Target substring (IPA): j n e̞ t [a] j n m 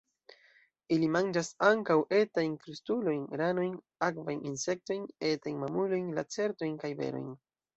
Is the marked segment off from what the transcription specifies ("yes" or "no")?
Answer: no